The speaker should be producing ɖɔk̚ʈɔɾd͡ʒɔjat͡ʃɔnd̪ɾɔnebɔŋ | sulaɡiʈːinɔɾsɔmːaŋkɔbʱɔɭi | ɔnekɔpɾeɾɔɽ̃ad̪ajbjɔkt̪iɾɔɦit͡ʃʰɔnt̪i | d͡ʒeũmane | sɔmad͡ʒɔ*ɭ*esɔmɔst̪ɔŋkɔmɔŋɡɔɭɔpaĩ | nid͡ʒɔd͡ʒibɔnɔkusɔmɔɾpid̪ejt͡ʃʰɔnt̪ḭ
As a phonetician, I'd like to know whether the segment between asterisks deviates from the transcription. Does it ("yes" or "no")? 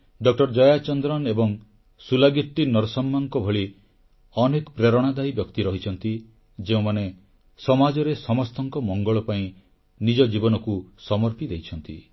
yes